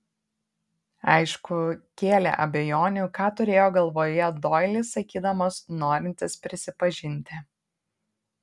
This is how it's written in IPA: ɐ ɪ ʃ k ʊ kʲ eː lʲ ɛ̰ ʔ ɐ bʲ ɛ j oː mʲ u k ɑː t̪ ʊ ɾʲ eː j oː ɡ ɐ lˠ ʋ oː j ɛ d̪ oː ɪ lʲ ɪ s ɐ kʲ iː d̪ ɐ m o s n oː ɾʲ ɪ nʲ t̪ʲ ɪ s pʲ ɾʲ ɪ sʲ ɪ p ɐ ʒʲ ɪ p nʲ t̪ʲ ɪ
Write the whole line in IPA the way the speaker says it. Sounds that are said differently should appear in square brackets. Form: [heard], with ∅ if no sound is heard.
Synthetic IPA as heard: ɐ ɪ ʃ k ʊ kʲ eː lʲ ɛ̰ ʔ ɐ bʲ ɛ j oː [nʲ] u k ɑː t̪ ʊ ɾʲ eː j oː ɡ ɐ lˠ ʋ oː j ɛ d̪ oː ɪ lʲ ɪ s ɐ kʲ iː d̪ ɐ m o s n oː ɾʲ ɪ nʲ t̪ʲ ɪ s pʲ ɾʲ ɪ sʲ ɪ p ɐ ʒʲ ɪ [∅] nʲ t̪ʲ ɪ